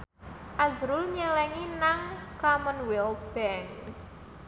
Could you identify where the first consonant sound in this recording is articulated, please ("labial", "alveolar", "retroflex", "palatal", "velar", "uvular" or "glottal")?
glottal